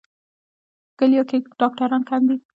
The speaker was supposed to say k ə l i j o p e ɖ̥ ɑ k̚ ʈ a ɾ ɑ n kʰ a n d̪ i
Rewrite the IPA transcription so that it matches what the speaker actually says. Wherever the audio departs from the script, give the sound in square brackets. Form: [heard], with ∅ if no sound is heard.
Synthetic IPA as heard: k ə l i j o [k] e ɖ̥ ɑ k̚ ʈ a ɾ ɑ n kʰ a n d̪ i